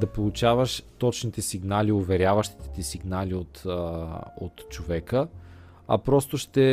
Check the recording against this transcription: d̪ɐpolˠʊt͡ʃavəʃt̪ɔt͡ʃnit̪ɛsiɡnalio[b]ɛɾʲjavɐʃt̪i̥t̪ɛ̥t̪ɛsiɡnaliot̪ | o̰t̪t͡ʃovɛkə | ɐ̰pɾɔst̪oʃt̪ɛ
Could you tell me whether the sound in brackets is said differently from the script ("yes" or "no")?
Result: yes